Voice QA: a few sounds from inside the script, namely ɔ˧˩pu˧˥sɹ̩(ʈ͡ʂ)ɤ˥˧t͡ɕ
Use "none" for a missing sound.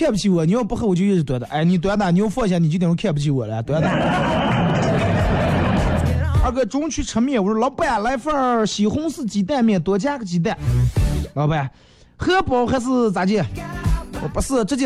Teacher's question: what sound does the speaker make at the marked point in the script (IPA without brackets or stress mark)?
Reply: ʈ͡ʂ